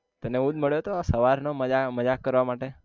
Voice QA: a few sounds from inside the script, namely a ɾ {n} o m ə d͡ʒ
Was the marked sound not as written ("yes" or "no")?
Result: no